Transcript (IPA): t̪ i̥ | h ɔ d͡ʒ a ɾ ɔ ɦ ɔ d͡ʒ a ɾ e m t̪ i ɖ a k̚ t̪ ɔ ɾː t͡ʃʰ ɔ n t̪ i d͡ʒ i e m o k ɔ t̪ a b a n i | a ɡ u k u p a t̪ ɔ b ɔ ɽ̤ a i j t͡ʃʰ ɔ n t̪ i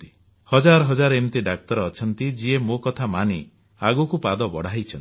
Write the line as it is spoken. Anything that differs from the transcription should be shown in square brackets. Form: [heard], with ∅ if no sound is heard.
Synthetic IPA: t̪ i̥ | h ɔ d͡ʒ a ɾ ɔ ɦ ɔ d͡ʒ a ɾ e m t̪ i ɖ a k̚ t̪ ɔ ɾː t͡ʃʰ ɔ n t̪ i d͡ʒ i e m o k ɔ [t̪ʰ] a [m] a n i | a ɡ u k u p a [d̪] ɔ b ɔ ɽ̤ a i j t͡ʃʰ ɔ n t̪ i